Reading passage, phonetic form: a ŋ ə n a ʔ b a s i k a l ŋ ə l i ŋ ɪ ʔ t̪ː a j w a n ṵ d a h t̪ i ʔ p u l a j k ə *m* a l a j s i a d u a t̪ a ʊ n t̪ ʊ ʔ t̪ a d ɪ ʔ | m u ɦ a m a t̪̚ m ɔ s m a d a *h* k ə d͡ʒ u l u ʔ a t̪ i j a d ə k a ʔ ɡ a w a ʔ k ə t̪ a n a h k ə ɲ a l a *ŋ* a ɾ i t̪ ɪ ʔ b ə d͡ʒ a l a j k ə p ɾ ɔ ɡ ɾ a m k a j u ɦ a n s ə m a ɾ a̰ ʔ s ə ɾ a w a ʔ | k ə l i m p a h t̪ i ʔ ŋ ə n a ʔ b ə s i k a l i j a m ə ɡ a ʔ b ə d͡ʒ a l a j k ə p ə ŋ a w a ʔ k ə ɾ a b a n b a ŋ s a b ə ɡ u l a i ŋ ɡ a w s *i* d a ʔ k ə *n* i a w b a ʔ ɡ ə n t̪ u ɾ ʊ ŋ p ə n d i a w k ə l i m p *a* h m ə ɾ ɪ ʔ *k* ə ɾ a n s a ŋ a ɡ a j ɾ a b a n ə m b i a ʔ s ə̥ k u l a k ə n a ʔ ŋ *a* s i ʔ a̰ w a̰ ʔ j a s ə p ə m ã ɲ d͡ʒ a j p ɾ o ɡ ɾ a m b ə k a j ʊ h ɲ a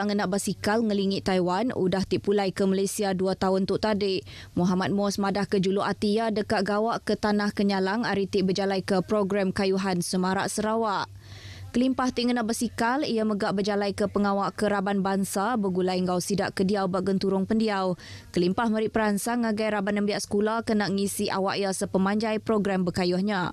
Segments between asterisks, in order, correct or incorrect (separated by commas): correct, correct, correct, correct, incorrect, correct, incorrect, incorrect